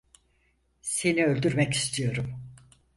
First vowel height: mid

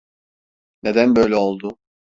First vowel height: mid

